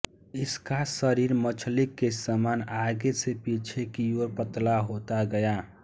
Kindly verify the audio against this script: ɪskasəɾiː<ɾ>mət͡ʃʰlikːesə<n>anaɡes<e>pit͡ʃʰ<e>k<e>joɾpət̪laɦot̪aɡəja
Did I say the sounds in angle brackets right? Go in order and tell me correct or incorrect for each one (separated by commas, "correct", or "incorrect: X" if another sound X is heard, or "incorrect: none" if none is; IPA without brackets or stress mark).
correct, incorrect: m, correct, correct, incorrect: i